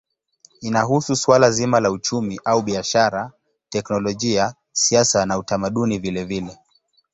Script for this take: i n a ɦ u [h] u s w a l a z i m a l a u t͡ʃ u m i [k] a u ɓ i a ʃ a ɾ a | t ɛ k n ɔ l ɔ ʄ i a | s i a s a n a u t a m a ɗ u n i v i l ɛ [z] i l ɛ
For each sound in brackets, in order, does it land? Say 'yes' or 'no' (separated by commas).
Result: no, no, no